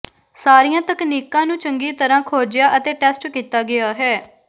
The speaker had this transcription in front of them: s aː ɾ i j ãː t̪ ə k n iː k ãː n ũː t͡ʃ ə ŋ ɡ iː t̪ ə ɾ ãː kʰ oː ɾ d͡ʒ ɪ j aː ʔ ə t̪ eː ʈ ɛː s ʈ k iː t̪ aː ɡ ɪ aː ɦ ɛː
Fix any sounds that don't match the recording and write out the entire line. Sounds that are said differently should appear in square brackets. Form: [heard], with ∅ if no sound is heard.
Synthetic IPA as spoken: s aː ɾ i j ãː t̪ ə k n iː k ãː n ũː t͡ʃ ə ŋ ɡ iː t̪ ə ɾ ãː kʰ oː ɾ d͡ʒ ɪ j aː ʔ ə t̪ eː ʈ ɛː s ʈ k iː t̪ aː ɡ ɪ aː ɦ ɛː